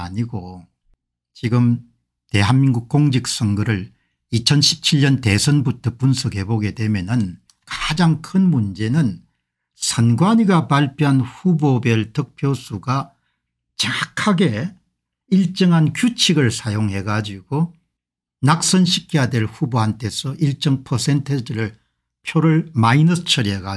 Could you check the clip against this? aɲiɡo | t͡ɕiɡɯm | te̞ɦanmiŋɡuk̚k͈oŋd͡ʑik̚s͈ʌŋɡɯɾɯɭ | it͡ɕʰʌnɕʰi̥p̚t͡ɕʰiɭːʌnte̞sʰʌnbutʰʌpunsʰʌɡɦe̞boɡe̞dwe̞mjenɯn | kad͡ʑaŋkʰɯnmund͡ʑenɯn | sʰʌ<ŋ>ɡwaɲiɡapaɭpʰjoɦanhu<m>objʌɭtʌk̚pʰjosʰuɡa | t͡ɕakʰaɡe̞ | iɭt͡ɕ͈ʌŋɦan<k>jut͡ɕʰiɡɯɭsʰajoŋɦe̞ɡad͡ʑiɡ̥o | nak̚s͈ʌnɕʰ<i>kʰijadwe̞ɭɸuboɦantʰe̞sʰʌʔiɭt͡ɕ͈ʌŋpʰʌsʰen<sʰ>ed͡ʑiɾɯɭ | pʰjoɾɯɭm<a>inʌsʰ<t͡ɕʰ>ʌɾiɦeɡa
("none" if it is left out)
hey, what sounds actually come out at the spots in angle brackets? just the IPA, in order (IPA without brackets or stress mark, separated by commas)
n, b, k, i, tʰ, a, t͡ɕʰ